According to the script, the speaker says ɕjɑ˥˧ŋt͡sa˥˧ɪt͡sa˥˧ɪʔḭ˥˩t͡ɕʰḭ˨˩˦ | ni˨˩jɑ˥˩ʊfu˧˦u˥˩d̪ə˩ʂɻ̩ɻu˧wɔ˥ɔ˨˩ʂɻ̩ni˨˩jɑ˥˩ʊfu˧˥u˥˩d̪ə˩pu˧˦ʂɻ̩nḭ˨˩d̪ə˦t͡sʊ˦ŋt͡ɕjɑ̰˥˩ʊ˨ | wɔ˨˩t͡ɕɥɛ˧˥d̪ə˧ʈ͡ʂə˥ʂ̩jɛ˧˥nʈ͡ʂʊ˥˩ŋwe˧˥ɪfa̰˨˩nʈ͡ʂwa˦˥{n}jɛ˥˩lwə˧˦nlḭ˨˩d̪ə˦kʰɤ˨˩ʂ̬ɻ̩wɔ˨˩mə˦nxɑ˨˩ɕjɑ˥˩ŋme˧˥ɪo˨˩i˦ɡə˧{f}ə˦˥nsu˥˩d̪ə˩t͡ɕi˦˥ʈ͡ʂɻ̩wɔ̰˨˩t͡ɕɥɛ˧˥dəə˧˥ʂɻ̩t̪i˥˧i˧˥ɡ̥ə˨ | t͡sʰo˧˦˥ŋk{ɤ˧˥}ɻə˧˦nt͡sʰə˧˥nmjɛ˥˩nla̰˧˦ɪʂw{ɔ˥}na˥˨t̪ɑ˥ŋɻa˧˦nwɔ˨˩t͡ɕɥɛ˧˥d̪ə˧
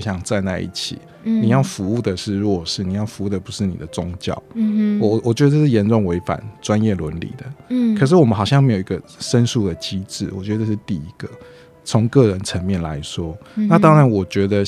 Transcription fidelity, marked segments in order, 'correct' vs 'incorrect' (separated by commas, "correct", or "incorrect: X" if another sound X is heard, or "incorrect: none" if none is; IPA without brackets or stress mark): correct, incorrect: ʂ, incorrect: ɤ˥˩, correct